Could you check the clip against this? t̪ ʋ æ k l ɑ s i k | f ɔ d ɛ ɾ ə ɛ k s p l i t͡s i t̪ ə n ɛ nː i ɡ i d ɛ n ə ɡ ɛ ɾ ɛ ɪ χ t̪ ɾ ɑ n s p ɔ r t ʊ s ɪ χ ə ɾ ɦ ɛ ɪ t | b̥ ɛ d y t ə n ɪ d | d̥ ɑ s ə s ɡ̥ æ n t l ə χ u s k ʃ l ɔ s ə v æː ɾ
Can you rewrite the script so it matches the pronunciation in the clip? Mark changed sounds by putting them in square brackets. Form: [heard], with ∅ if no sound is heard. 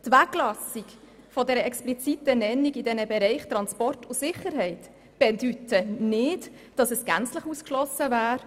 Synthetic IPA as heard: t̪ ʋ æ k l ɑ s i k | f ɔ d ɛ ɾ ə ɛ k s p l i t͡s i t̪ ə n ɛ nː i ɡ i d ɛ n ə [b] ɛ ɾ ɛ ɪ χ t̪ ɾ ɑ n s p ɔ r t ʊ s ɪ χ ə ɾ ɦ ɛ ɪ t | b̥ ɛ d y t ə n ɪ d | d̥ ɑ s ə s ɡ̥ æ n [t͡s] l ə χ u s k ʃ l ɔ s ə v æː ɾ

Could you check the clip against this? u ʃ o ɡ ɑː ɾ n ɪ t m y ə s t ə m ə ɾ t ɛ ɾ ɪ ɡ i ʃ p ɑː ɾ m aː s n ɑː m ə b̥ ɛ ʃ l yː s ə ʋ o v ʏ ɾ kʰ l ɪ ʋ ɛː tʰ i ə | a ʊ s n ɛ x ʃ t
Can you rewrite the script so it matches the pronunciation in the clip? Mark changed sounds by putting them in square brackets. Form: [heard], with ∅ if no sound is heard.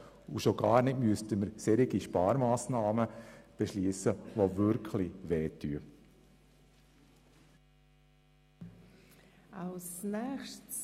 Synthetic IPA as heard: u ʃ o ɡ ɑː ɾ n ɪ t m y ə s t ə m ə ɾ [s] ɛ ɾ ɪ ɡ i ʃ p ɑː ɾ m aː s n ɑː m ə b̥ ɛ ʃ l [iː] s ə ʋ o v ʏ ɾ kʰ l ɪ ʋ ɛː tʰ [y] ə | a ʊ s n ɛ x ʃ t

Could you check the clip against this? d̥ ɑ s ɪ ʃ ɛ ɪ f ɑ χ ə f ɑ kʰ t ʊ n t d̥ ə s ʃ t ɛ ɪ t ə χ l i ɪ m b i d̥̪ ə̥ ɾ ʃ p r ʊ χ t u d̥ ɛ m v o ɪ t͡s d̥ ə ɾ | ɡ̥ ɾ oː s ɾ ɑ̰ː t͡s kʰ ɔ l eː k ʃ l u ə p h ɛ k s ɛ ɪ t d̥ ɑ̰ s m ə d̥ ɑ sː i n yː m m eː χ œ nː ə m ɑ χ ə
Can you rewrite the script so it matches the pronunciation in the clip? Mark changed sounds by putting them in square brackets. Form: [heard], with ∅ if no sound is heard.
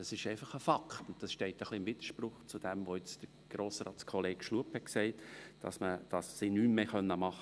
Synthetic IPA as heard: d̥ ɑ s ɪ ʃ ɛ ɪ f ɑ χ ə f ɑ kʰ t ʊ n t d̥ [ɑ] s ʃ t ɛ ɪ t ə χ l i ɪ m [v] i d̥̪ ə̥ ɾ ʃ p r ʊ χ [t͡s] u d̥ ɛ m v o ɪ t͡s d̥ ə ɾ | ɡ̥ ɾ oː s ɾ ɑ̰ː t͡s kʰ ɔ l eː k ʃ l u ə p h ɛ k s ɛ ɪ t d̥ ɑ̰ s m ə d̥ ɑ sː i n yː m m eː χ œ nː ə m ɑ χ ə

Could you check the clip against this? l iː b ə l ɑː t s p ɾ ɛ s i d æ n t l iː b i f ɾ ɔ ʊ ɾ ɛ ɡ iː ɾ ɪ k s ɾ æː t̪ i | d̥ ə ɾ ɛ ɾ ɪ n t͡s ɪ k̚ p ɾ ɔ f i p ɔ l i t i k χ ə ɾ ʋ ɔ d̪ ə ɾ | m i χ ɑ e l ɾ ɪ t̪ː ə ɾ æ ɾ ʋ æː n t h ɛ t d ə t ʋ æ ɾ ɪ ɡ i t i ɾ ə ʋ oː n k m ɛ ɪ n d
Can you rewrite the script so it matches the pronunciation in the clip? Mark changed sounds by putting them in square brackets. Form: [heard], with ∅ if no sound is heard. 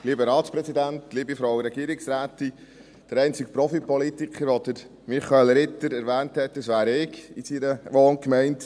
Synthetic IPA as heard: l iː b ə [ɾ] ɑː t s p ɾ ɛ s i d æ n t l iː b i f ɾ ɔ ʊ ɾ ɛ ɡ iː ɾ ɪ k s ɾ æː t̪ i | d̥ ə ɾ ɛ [∅] ɪ n t͡s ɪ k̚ p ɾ ɔ f i p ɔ l i t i k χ ə ɾ ʋ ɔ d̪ ə ɾ | m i χ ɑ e l ɾ ɪ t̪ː ə ɾ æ ɾ ʋ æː n t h ɛ t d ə [s] ʋ [æː] ɾ ɪ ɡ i [s] i ɾ ə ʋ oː n k m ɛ ɪ n [t]

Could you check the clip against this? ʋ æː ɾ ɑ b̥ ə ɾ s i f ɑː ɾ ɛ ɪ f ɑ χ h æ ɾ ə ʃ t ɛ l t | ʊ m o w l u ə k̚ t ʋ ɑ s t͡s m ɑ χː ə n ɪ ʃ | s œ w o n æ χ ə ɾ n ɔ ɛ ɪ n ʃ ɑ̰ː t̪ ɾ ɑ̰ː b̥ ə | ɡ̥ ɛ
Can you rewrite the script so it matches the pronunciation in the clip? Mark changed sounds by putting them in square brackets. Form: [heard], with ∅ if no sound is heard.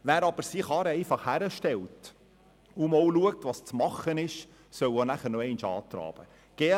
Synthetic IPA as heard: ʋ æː ɾ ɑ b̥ ə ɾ s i [χ] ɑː ɾ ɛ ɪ f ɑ χ h æ ɾ ə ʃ t ɛ l t | ʊ m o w l u ə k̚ t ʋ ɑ s t͡s m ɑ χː ə n ɪ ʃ | s œ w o n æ χ ə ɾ n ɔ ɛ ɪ n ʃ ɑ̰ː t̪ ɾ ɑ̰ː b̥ ə | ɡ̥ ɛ

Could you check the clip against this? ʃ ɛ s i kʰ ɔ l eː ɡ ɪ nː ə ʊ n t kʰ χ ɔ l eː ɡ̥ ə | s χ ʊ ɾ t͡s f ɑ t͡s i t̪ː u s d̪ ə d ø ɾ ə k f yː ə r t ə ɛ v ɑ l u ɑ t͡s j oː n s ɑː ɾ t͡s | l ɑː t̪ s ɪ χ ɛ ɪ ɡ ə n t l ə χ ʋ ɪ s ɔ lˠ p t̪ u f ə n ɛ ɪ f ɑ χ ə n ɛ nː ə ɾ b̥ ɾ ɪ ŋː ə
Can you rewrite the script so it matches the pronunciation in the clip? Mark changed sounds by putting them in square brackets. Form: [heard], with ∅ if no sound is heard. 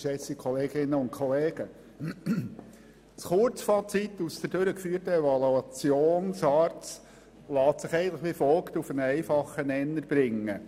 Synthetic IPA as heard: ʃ ɛ s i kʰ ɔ l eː ɡ ɪ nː ə ʊ n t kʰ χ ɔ l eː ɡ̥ ə | s χ ʊ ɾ t͡s f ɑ t͡s i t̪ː u s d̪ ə d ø ɾ ə k f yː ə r t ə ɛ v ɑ l u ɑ t͡s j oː n s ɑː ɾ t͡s | l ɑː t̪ s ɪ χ ɛ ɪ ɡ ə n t l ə χ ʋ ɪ [f] ɔ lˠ [k] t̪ u f ə n ɛ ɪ f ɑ χ ə n ɛ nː ə ɾ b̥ ɾ ɪ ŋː ə

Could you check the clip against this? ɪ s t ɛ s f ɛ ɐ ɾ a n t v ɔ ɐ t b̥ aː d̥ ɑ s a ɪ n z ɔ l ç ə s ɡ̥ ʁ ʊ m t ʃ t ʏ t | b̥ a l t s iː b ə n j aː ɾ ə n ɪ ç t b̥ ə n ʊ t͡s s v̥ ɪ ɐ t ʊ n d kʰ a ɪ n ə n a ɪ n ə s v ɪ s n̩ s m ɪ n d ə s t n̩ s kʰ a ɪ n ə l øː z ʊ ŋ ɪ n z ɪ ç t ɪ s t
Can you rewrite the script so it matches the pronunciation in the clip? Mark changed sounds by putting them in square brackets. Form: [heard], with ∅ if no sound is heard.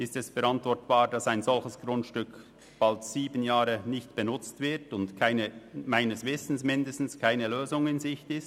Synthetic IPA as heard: ɪ s t ɛ s f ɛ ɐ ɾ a n t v ɔ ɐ t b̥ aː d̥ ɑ s a ɪ n z ɔ l ç ə s ɡ̥ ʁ ʊ [n] t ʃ t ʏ [k] | b̥ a l t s iː b ə n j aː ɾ ə n ɪ ç t b̥ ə n ʊ t͡s [t] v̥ ɪ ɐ t ʊ n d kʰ a ɪ n ə [m] a ɪ n ə s v ɪ s n̩ s m ɪ n d ə s t n̩ s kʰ a ɪ n ə l øː z ʊ ŋ ɪ n z ɪ ç t ɪ s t

